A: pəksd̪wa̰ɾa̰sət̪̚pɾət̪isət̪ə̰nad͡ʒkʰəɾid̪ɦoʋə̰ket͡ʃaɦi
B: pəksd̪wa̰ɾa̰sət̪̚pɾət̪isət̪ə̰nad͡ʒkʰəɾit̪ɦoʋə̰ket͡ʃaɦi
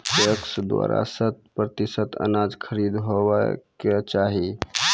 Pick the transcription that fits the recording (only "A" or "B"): A